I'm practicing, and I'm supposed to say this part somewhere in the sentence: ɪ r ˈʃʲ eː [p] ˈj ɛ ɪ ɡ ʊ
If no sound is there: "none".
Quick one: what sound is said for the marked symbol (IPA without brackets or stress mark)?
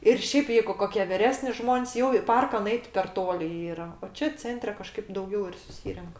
p